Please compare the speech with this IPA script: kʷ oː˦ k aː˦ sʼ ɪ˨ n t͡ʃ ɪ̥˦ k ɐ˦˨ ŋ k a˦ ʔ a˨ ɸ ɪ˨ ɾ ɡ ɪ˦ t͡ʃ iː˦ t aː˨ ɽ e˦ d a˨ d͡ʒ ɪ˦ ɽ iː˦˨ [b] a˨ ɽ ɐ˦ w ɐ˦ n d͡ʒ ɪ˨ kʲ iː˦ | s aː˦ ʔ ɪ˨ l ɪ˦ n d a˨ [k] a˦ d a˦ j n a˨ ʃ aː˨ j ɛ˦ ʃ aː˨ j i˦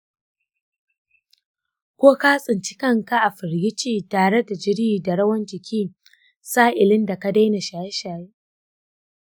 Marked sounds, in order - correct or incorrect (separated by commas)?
incorrect, correct